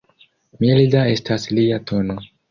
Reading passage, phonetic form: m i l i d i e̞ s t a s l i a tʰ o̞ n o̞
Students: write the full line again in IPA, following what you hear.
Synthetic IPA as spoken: m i l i d a e̞ s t a s l i a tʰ o̞ n o̞